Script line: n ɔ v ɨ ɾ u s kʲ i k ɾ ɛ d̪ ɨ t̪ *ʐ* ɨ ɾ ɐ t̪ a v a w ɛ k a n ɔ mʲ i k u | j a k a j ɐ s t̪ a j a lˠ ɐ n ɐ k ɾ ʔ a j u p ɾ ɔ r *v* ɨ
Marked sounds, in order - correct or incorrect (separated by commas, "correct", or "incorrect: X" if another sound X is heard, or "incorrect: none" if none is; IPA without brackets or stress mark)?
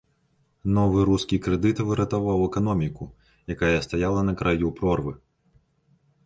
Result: incorrect: v, correct